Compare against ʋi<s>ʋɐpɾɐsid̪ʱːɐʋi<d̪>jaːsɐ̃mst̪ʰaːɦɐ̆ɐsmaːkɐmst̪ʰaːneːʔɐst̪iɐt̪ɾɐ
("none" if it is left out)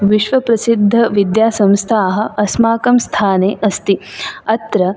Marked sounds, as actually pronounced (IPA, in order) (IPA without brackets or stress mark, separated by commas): ʃ, d̪